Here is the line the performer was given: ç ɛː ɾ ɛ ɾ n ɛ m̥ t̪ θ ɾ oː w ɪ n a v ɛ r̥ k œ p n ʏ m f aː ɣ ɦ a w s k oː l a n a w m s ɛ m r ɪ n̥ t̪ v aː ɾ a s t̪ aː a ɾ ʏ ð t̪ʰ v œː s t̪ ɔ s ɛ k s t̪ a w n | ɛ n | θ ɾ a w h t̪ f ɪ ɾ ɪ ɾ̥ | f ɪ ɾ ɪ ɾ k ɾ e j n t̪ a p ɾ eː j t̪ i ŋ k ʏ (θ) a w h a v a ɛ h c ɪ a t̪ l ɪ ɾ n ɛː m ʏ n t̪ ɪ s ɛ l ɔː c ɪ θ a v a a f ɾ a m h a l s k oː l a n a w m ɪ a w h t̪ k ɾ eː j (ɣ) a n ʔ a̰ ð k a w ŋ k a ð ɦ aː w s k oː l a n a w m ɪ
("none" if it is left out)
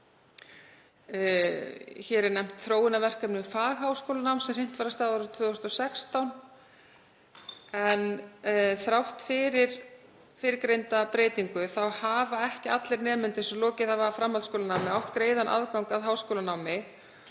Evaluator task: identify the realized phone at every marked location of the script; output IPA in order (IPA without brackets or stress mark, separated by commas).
θ, ð